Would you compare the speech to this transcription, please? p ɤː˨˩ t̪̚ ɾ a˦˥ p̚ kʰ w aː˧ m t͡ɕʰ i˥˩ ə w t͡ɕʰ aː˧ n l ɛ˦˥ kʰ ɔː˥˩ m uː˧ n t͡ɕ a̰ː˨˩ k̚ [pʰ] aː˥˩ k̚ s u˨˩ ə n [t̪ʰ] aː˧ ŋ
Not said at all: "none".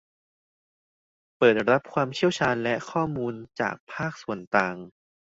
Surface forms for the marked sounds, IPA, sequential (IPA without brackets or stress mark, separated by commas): pʰ, t̪